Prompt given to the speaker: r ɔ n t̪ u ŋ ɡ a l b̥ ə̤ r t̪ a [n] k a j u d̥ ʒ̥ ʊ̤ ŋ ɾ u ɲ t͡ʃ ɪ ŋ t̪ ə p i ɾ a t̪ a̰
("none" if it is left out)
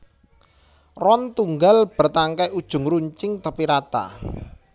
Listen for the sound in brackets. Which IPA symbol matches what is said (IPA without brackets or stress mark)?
ŋ